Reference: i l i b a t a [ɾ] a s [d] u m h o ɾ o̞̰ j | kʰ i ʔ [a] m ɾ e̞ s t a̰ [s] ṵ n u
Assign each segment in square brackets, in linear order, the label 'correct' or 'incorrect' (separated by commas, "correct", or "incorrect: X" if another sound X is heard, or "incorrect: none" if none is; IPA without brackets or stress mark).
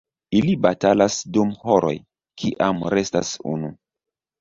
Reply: incorrect: l, correct, correct, correct